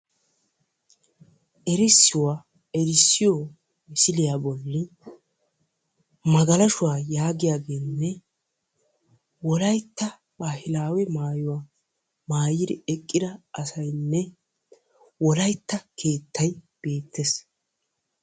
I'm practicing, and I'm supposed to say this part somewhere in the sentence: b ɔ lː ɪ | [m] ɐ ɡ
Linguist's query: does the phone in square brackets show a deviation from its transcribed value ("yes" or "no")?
no